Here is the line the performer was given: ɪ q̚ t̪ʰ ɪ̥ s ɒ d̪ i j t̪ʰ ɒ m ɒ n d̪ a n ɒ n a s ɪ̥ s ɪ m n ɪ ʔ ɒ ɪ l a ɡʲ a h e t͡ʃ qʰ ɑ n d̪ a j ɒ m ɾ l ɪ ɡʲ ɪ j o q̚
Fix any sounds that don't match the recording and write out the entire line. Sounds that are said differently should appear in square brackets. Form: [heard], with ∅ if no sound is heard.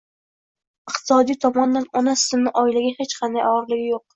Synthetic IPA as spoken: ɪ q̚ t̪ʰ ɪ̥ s ɒ d̪ i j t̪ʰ ɒ m ɒ n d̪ a n ɒ n a s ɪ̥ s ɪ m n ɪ ʔ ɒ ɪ l a ɡʲ a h e t͡ʃ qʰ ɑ n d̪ a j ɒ [∅] ɾ l ɪ ɡʲ ɪ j o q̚